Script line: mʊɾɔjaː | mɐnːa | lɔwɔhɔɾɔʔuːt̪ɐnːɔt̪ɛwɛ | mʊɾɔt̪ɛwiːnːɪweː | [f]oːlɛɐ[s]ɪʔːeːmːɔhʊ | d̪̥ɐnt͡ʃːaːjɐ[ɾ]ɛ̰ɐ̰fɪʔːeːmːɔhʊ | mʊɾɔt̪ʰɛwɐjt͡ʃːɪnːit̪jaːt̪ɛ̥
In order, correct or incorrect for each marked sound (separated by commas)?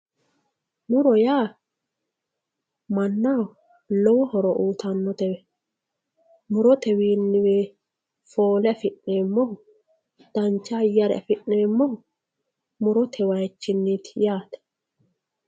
correct, incorrect, correct